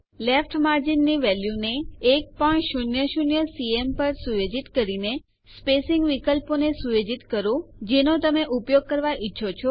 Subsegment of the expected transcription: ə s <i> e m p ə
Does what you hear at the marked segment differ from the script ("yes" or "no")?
no